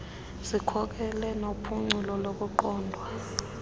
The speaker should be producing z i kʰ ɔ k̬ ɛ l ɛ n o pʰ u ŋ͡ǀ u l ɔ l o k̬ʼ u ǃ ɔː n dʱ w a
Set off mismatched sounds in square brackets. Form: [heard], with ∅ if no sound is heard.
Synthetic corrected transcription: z i kʰ ɔ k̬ ɛ l ɛ n o pʰ u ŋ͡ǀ u l ɔ l o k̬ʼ u ǃ ɔː n dʱ w a